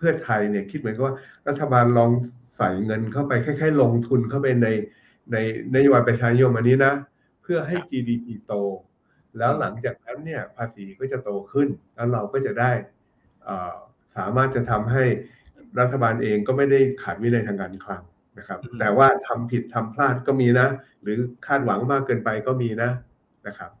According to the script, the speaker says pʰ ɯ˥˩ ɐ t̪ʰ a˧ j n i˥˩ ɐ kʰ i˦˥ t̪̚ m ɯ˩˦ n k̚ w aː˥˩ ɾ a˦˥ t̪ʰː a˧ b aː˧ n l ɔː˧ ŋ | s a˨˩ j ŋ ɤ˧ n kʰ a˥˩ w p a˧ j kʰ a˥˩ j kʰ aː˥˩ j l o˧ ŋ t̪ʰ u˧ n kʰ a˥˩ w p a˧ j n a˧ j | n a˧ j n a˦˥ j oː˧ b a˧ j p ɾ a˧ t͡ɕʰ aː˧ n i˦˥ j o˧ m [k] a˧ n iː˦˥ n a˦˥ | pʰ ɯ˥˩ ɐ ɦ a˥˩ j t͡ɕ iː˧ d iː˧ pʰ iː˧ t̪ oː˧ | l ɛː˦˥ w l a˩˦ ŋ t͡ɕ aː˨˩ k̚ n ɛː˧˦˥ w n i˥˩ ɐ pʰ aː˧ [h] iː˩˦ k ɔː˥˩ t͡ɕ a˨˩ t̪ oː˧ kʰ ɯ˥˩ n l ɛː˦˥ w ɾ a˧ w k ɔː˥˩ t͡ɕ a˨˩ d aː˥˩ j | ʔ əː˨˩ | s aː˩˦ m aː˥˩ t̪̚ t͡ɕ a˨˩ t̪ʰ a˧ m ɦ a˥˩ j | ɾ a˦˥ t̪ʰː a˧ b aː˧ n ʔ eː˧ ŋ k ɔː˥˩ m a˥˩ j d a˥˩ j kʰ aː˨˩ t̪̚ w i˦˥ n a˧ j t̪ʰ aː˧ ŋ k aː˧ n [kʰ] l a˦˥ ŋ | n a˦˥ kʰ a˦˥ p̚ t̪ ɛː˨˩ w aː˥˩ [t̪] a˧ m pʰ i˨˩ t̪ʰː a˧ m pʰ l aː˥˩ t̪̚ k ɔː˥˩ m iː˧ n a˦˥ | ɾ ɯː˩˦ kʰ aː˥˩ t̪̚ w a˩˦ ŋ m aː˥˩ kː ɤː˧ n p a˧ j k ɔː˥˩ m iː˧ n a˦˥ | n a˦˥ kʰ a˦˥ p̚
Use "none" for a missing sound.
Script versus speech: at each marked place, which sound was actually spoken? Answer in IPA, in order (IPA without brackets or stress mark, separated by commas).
ʔ, s, kʰ, t̪ʰ